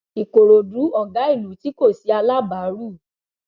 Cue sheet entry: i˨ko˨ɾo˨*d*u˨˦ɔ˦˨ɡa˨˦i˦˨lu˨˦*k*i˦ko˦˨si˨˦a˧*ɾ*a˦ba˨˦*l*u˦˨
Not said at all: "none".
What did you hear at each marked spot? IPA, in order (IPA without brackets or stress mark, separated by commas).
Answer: d, t, l, ɾ